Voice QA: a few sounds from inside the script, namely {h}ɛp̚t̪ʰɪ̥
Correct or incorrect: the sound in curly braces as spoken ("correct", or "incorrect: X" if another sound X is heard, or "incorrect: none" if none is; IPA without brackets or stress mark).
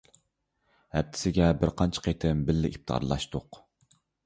correct